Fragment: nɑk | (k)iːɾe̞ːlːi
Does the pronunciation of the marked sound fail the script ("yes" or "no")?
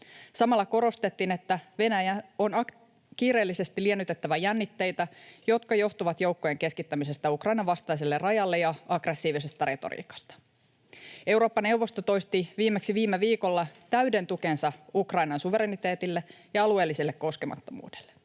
no